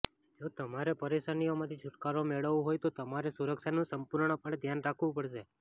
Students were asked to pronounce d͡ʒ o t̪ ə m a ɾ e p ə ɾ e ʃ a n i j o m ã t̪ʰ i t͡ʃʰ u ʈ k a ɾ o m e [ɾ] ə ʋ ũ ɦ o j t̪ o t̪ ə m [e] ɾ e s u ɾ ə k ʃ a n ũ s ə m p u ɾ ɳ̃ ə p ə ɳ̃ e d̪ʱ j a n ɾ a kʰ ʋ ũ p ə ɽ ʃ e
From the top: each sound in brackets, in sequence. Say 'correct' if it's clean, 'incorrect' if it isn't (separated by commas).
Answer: incorrect, incorrect